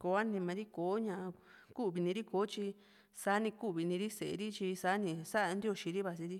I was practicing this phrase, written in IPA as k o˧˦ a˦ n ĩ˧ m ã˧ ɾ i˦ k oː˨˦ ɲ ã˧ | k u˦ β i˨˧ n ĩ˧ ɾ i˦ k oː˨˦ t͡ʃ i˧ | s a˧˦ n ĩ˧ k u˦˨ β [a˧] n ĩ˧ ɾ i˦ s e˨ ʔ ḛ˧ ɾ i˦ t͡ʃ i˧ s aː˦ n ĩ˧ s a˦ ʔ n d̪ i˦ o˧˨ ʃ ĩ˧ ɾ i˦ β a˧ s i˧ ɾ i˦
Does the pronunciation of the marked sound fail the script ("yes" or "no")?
yes